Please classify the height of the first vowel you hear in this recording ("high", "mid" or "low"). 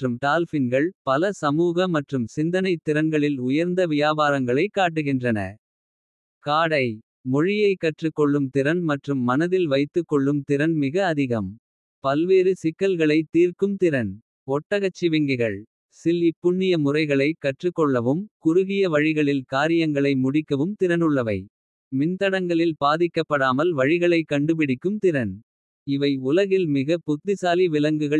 high